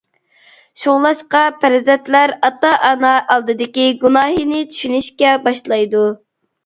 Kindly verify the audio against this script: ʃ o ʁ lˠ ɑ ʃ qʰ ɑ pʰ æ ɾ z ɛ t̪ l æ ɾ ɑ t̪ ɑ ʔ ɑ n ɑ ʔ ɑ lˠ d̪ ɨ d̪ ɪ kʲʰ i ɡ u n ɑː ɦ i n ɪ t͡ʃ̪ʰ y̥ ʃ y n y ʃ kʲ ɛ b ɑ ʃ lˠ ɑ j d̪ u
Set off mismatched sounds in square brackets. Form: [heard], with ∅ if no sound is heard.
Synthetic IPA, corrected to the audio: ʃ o ʁ lˠ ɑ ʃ [q] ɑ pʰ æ ɾ z ɛ t̪ l æ ɾ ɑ t̪ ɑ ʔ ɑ n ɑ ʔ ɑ lˠ d̪ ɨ d̪ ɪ [kʲ] i ɡ u n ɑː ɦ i n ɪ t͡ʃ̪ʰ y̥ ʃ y n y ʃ kʲ ɛ b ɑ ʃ lˠ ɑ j d̪ u